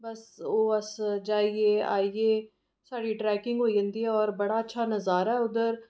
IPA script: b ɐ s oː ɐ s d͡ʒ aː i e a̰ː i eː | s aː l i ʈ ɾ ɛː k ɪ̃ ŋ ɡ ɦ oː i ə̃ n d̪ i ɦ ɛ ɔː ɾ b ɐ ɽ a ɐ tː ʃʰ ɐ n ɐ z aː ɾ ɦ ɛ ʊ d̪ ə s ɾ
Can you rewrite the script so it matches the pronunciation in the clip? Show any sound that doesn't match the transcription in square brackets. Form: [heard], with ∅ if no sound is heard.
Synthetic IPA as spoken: b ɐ s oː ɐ s d͡ʒ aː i e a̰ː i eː | s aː [ɽ] i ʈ ɾ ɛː k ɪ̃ ŋ ɡ ɦ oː i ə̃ n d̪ i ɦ ɛ ɔː ɾ b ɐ ɽ a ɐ tː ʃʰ [a] n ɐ z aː ɾ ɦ ɛ ʊ d̪ ə [∅] ɾ